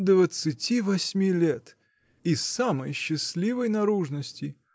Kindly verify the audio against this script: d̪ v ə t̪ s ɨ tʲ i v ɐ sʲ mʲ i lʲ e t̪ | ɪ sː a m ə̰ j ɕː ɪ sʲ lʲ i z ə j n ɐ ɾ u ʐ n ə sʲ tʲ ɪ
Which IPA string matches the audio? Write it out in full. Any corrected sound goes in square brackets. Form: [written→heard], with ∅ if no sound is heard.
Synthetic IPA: d̪ v ə t̪ s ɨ tʲ i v ɐ sʲ mʲ i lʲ e t̪ | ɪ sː a m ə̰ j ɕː ɪ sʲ lʲ i [z→v] ə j n ɐ ɾ u ʐ n ə sʲ tʲ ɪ